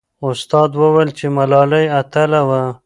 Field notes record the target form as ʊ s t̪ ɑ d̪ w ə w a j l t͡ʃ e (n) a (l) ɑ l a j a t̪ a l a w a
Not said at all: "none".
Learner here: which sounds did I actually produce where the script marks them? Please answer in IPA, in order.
m, l

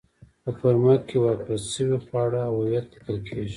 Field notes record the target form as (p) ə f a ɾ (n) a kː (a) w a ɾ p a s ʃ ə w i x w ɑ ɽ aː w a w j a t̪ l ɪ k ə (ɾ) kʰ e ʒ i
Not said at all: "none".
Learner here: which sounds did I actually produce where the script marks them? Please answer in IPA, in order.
p, m, e, l

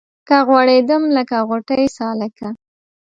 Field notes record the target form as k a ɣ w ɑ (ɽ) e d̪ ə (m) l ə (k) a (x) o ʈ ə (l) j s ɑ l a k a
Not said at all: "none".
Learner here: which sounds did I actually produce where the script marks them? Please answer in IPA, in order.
ɽ, m, k, ɣ, none

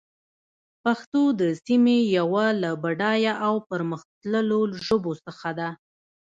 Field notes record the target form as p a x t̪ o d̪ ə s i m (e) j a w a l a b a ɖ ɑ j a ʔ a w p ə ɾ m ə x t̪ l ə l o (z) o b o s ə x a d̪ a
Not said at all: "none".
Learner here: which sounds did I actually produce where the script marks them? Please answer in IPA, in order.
e, ʒ

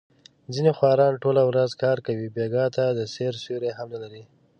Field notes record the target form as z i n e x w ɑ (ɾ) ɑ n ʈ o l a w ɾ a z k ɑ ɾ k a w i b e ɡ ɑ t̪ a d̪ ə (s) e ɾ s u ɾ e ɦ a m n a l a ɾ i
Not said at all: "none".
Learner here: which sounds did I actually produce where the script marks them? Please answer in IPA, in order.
ɾ, s

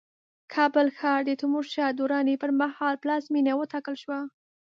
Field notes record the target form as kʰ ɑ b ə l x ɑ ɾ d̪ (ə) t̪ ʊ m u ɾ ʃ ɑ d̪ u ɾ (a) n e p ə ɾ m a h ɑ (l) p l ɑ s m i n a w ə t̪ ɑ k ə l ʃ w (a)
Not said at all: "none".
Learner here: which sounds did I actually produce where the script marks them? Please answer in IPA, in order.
ə, ɑ, l, a

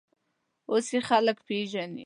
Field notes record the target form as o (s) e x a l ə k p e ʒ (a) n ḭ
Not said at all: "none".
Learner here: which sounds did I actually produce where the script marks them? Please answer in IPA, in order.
s, a

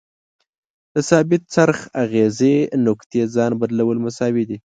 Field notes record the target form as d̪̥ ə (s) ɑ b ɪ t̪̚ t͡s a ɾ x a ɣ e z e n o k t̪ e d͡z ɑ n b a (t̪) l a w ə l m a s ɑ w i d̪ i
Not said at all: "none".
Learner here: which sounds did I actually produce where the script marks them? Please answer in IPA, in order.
s, d̪

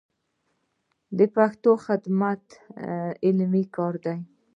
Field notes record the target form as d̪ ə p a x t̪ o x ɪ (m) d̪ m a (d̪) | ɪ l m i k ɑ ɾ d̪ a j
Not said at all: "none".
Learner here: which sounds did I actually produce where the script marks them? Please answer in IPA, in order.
none, t̪

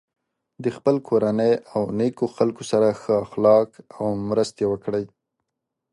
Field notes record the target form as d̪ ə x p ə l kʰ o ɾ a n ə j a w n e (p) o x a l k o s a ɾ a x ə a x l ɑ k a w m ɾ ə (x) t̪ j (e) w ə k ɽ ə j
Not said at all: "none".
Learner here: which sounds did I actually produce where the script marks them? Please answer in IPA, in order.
k, s, e

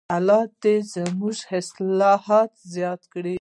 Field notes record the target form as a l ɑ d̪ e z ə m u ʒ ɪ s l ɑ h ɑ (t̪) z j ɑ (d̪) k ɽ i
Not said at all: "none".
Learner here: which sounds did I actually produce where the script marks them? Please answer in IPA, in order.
t̪, t̪

